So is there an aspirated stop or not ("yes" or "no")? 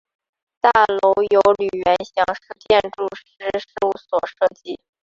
no